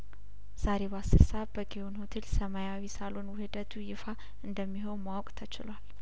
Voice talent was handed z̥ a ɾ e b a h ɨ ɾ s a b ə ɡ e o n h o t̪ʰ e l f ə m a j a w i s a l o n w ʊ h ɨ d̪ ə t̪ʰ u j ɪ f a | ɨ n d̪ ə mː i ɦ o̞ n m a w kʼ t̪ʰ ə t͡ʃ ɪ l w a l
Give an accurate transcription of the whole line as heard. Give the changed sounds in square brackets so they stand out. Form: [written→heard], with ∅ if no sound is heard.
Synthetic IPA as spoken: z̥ a ɾ e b a [h→s] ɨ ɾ s a b ə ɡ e o n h o t̪ʰ e l [f→s] ə m a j a w i s a l o n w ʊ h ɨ d̪ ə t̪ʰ u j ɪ f a | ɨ n d̪ ə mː i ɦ o̞ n m a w kʼ t̪ʰ ə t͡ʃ ɪ l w a l